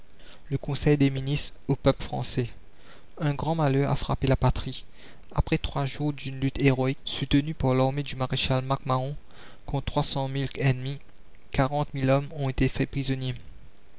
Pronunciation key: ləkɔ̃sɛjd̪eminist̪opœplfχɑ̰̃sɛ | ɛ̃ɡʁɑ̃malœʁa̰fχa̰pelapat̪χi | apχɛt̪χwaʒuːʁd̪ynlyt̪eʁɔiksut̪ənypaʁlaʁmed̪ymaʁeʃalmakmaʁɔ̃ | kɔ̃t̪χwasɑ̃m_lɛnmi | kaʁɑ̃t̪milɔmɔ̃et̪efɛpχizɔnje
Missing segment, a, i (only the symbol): i